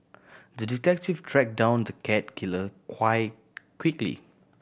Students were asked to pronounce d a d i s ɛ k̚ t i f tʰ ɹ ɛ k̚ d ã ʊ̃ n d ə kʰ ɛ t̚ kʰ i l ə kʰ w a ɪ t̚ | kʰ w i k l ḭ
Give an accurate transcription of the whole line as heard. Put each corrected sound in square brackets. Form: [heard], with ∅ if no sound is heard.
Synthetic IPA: d [ə] d i [t] ɛ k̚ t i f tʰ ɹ ɛ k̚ d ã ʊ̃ n d ə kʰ ɛ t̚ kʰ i l ə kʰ w a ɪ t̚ | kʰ w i k l ḭ